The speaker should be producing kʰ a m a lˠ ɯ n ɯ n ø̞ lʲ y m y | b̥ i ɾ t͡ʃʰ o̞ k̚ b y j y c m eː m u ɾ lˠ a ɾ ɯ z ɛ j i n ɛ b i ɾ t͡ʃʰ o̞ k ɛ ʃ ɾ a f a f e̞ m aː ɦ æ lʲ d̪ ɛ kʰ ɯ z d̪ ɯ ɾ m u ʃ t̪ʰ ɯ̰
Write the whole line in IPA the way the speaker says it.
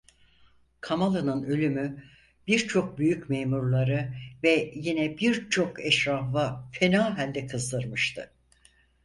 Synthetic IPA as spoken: kʰ a m a lˠ ɯ n ɯ n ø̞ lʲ y m y | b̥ i ɾ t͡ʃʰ o̞ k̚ b y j y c m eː m u ɾ lˠ a ɾ ɯ v ɛ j i n ɛ b i ɾ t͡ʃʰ o̞ k ɛ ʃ ɾ a f a f e̞ n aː ɦ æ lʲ d̪ ɛ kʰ ɯ z d̪ ɯ ɾ m ɯ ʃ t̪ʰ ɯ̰